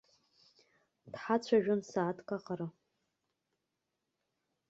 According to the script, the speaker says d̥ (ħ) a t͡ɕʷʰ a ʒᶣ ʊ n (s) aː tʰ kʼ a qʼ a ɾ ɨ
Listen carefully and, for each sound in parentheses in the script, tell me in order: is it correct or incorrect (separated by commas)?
correct, correct